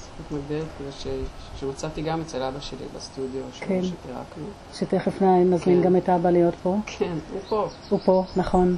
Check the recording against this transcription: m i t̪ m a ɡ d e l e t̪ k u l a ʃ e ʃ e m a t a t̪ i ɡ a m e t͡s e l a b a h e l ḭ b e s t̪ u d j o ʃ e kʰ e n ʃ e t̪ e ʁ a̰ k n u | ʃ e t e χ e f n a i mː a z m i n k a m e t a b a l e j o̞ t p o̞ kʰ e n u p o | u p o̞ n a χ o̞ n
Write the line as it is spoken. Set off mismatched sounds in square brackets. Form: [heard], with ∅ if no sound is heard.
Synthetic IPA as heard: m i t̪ m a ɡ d e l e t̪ k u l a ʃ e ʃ e m a [t͡s] a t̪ i ɡ a m e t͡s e l a b a [ʃ] e l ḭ b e s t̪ u d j o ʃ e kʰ e n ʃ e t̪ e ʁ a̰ k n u | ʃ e t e χ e f n a i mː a z m i n [ɡ] a m e t a b a l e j o̞ t p o̞ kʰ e n u p o | u p o̞ n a χ o̞ n